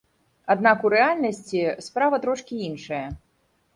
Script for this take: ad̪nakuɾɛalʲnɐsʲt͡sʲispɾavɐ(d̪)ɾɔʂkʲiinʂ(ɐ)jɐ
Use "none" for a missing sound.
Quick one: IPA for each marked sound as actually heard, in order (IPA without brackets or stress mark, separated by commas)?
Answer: t̪, ɐ